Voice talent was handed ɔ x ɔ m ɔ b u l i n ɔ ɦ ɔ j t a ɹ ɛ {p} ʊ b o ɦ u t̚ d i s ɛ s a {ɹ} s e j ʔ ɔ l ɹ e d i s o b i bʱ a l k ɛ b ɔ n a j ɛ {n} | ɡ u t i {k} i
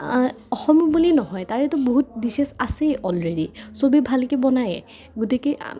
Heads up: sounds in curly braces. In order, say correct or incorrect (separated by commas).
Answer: incorrect, incorrect, incorrect, correct